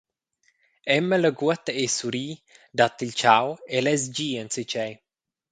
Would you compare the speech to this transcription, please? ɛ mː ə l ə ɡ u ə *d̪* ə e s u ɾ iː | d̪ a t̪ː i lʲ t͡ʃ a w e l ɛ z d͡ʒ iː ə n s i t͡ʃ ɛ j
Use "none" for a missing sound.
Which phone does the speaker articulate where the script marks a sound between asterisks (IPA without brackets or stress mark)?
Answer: t̪